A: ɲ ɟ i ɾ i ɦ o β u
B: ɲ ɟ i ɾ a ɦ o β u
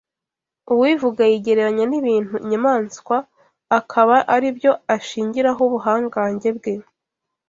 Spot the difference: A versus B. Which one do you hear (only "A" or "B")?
B